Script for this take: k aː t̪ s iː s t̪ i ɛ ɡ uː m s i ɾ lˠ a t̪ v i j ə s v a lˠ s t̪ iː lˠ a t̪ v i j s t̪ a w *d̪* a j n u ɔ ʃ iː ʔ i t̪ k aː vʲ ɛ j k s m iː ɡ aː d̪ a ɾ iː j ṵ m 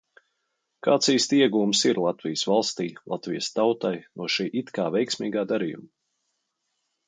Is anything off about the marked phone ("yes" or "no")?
yes